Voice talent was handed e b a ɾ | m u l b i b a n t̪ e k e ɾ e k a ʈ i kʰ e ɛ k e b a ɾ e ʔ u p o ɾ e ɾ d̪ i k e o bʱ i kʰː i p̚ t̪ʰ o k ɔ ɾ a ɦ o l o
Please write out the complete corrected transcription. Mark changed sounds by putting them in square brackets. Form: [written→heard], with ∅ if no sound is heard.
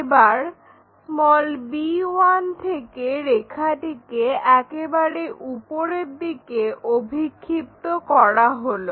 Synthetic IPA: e b a ɾ | m [u→ɔ] l b i [b→w] a n [t̪→t̪ʰ] e k e ɾ e [k→kʰ] a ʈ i [kʰ→k] e ɛ k e b a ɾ e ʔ u p o ɾ e ɾ d̪ i k e o bʱ i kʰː i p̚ [t̪ʰ→t̪] o k ɔ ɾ a ɦ o l o